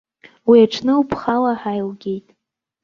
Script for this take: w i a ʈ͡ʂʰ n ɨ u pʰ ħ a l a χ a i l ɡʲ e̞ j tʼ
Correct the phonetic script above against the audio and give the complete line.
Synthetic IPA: w i a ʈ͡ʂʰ n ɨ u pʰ χ a l a ħ a j l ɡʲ e̞ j tʼ